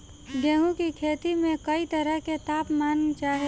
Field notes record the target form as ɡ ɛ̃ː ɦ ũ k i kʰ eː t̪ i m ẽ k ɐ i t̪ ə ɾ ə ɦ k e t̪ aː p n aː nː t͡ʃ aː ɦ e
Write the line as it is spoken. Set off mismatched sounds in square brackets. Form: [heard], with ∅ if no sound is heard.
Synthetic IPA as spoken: ɡ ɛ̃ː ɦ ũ k i kʰ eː t̪ i m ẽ k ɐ i t̪ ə ɾ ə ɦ k e t̪ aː p [m] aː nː t͡ʃ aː ɦ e